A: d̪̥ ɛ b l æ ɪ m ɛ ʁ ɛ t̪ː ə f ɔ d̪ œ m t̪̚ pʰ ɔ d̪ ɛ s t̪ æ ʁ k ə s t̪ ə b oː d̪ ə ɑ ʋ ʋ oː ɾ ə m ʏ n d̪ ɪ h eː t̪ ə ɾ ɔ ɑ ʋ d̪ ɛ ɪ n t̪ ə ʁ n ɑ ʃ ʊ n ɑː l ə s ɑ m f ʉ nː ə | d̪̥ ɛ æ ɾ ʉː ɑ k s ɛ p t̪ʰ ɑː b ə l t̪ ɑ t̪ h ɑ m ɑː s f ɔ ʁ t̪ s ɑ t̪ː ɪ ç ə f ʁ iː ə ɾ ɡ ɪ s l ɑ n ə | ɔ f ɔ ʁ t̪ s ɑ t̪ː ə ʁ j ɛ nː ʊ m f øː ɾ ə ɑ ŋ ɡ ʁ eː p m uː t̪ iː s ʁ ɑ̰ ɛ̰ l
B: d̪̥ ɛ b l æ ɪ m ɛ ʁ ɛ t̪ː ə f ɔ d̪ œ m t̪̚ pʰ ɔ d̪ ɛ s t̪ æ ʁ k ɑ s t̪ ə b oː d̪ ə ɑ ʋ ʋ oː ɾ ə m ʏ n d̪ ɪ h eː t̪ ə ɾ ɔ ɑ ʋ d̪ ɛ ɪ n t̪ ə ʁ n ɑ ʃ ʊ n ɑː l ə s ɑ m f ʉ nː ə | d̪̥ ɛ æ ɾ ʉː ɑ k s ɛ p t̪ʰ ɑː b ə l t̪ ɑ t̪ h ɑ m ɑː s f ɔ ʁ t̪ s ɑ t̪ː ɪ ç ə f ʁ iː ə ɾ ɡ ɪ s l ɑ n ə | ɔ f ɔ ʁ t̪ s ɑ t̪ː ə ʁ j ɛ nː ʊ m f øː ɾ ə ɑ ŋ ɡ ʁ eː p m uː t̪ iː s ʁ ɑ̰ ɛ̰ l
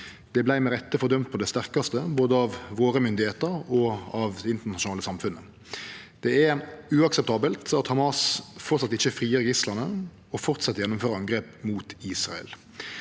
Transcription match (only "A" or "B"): B